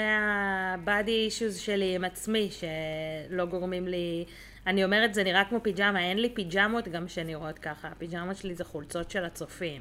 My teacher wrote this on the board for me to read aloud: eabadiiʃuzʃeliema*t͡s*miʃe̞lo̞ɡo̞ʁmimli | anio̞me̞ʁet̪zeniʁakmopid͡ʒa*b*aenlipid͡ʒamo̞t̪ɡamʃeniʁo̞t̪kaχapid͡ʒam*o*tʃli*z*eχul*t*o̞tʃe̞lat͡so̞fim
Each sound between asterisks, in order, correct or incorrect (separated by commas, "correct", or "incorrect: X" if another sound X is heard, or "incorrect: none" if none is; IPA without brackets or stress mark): correct, incorrect: m, correct, correct, incorrect: t͡s